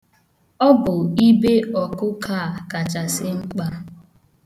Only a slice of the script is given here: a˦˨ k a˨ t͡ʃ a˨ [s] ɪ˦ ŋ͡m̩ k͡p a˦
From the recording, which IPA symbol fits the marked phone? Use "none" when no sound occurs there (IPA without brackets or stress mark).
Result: s